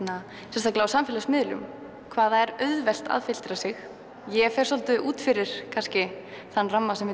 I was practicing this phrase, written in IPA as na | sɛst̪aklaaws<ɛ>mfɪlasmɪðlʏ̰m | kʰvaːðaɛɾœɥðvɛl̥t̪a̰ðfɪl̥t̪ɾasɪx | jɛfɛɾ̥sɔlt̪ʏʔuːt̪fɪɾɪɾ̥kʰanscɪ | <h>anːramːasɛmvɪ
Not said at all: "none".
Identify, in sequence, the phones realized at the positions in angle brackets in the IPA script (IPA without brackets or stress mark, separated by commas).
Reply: a, θ